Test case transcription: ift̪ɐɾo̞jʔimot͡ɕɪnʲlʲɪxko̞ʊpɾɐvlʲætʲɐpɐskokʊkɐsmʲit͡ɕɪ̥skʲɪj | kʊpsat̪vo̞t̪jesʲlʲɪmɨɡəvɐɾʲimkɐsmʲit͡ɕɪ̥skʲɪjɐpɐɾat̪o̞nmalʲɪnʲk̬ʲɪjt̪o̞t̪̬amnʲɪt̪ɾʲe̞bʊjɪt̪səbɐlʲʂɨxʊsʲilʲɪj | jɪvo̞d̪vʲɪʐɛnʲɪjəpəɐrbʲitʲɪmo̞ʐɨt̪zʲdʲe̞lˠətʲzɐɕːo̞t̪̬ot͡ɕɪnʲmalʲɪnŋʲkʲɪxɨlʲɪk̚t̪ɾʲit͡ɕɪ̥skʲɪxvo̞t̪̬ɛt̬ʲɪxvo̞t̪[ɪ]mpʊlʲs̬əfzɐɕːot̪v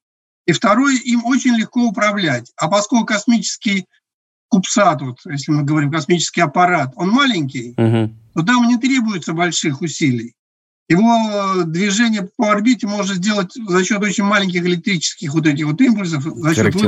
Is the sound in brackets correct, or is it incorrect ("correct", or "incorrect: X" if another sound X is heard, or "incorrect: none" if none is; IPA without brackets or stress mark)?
incorrect: i